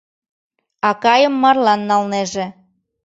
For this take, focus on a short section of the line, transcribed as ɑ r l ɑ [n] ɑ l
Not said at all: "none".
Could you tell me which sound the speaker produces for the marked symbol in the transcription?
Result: nː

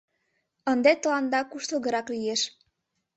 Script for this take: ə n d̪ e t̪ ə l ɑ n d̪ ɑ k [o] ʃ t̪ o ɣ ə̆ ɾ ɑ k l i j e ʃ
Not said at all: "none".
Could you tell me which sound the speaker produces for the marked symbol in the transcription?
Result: u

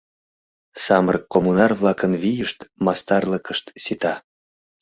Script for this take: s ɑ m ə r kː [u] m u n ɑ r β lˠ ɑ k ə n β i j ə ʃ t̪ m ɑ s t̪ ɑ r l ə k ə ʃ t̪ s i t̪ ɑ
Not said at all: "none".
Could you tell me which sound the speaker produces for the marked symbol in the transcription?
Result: o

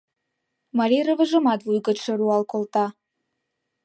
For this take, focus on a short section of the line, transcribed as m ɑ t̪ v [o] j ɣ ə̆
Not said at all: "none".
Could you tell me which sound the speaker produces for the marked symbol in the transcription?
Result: u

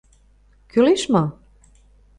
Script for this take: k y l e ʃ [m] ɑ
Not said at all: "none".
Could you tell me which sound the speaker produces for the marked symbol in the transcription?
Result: m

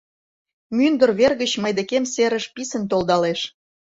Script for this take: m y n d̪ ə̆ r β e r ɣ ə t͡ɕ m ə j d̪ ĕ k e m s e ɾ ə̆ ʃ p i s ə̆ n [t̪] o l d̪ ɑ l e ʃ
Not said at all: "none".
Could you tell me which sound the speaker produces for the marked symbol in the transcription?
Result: t̪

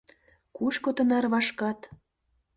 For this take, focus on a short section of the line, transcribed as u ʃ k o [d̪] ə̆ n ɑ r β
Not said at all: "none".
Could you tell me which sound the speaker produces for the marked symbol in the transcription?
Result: t̪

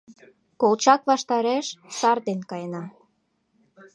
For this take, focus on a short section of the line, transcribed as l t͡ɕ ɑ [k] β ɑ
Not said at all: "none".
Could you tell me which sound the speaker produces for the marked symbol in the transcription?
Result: k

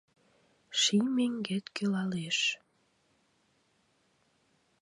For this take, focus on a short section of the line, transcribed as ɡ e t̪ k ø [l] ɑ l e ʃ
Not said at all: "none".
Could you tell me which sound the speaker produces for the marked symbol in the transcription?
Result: l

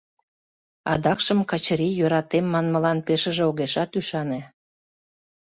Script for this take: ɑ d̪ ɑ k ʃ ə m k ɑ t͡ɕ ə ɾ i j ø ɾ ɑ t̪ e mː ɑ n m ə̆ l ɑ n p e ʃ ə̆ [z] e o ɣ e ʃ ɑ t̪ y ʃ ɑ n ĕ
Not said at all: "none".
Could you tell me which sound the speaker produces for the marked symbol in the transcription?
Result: ʒ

